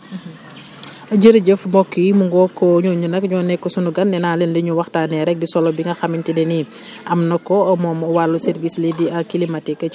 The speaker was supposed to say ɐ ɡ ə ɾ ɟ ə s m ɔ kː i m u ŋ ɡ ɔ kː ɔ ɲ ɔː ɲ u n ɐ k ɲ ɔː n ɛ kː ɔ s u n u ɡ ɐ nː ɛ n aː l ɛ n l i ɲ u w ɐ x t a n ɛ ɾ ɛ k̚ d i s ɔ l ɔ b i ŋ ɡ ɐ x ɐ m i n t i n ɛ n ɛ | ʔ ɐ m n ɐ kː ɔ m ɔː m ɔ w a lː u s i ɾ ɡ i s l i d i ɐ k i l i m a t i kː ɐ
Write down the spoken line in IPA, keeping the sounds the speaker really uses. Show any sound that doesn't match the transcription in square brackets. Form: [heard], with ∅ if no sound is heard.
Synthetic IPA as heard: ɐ [ɟ] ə ɾ ɟ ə [f] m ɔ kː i m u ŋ ɡ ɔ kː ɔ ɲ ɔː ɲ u n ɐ k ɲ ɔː n ɛ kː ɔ s u n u ɡ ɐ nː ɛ n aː l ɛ n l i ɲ u w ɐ x t a n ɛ ɾ ɛ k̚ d i s ɔ l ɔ b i ŋ ɡ ɐ x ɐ m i n t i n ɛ n [i] | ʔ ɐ m n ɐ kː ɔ m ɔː m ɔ w a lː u s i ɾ ɡ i s l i d i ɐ k i l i m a t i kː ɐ